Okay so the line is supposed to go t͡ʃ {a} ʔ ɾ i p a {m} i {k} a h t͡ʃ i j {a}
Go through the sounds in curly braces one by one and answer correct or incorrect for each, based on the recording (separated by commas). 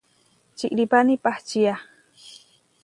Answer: incorrect, incorrect, incorrect, correct